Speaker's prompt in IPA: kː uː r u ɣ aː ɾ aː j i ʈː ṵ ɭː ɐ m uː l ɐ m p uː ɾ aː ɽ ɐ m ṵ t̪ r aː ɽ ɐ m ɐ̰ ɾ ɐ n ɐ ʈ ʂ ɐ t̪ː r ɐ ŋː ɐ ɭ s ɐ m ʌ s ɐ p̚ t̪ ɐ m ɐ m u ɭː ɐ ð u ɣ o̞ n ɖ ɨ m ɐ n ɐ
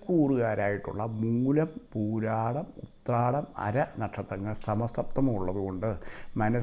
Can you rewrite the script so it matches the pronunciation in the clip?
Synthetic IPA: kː uː r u ɣ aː ɾ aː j i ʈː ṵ ɭː ɐ m uː l ɐ m p uː ɾ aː ɽ ɐ m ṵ t̪ r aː ɽ ɐ m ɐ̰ ɾ ɐ n ɐ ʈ ʂ ɐ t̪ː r ɐ ŋː ɐ ɭ s ɐ m ɐ s ɐ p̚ t̪ ɐ m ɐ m u ɭː ɐ ð u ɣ o̞ ɳ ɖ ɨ m ɐ n ɐ